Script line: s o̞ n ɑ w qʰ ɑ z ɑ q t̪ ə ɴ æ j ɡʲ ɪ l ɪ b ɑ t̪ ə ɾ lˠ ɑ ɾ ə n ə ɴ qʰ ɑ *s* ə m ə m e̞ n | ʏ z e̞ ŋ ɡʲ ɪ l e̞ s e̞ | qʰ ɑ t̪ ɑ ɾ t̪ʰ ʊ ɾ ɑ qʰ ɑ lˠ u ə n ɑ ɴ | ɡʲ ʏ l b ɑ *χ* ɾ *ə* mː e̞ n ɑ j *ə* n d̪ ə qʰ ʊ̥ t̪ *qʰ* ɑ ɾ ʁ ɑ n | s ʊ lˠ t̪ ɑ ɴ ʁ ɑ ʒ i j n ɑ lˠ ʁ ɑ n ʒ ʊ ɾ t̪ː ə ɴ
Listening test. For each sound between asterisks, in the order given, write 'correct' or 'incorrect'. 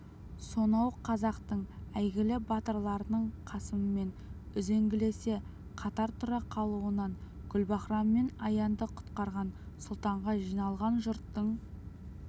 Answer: correct, correct, incorrect, incorrect, incorrect

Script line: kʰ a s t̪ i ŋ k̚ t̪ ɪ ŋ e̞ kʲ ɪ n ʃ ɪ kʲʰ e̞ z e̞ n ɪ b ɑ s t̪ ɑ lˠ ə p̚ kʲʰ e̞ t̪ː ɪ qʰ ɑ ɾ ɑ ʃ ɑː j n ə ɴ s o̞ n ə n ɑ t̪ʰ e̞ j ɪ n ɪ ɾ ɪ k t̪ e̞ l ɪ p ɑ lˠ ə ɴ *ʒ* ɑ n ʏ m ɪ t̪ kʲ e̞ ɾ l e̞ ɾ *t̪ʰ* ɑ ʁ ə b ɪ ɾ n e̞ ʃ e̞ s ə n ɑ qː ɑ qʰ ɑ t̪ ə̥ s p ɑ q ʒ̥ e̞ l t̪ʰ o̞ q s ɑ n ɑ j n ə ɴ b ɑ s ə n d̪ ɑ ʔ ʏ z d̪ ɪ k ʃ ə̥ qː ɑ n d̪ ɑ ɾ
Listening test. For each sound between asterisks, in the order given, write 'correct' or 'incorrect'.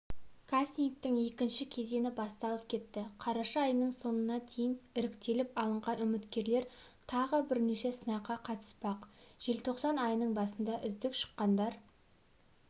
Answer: incorrect, correct

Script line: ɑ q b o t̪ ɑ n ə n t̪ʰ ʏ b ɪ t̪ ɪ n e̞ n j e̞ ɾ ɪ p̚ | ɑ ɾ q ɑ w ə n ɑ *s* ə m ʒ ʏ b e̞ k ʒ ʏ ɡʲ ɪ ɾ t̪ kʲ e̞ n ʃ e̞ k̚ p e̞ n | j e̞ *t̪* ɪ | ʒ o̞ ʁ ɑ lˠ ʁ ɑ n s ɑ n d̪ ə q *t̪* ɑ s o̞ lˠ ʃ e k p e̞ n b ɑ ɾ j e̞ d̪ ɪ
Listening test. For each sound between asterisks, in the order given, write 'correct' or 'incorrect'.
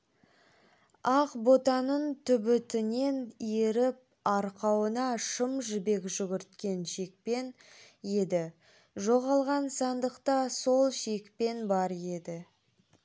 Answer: incorrect, incorrect, correct

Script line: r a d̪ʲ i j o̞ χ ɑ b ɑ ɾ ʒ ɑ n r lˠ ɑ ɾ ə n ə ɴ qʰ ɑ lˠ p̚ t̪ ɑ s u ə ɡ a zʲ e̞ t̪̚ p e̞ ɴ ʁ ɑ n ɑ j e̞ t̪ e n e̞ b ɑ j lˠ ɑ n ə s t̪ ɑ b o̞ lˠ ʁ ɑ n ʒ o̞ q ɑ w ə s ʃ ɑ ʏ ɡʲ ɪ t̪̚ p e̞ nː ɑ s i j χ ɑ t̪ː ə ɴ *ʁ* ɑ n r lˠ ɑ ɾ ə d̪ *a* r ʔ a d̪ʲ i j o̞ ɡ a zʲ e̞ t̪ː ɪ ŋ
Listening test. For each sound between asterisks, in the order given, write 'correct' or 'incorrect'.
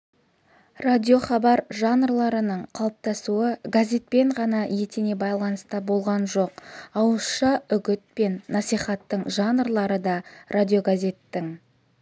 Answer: incorrect, incorrect

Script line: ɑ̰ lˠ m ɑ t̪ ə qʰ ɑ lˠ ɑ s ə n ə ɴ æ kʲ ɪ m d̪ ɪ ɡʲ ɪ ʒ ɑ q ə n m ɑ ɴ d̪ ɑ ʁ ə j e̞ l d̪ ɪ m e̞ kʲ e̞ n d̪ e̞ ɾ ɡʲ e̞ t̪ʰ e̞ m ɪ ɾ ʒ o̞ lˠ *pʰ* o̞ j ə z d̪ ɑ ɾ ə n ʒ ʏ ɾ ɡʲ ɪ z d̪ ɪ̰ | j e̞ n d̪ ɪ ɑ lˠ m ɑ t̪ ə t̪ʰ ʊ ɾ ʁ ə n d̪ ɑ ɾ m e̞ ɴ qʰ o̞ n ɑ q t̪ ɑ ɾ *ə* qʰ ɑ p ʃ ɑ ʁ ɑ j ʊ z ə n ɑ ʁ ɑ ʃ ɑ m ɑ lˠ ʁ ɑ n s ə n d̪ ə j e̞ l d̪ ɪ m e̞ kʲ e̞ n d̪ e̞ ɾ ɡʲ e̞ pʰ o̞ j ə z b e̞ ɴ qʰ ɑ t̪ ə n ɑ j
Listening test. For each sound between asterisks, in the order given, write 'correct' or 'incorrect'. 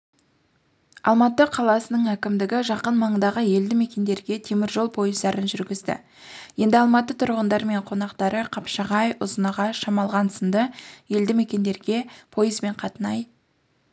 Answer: correct, correct

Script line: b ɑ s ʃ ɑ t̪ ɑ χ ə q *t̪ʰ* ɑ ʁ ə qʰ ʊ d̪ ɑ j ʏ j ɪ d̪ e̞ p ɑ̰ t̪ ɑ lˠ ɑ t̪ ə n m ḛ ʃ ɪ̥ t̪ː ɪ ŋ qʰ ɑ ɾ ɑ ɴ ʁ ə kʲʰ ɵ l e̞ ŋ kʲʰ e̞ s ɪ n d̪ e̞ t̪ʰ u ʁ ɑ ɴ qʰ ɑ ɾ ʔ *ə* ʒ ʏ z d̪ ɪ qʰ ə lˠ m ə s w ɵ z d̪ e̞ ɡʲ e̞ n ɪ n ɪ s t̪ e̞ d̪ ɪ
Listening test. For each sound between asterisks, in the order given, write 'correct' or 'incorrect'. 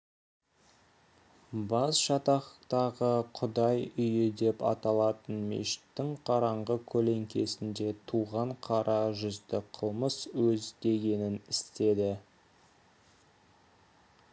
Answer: incorrect, incorrect

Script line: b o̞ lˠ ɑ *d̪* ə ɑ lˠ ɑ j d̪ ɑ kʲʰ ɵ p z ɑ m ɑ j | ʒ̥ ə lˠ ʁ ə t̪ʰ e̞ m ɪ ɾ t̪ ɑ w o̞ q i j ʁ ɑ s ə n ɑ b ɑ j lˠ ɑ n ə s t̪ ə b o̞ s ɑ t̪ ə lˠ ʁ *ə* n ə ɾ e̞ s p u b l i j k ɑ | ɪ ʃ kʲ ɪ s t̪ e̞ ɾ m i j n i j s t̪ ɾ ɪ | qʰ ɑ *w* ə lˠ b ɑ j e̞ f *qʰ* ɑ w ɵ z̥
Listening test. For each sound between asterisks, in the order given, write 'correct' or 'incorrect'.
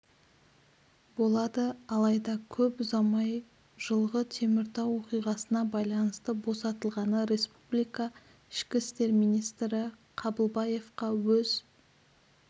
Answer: correct, incorrect, incorrect, incorrect

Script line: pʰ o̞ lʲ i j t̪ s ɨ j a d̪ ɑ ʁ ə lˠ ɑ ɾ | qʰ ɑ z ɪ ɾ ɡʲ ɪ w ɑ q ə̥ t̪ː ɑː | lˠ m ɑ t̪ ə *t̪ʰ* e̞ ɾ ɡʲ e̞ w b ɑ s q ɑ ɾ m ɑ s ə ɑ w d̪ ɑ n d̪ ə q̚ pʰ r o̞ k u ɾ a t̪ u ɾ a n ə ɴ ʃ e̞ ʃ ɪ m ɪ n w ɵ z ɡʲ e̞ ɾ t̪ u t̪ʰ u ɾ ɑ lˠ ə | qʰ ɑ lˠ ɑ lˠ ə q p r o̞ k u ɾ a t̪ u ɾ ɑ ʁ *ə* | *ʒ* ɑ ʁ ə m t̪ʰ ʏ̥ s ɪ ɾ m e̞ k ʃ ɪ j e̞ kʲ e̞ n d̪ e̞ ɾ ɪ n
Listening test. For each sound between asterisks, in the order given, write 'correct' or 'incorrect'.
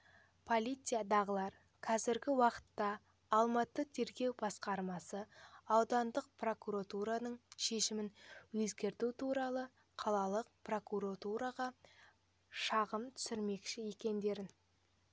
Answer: correct, incorrect, incorrect

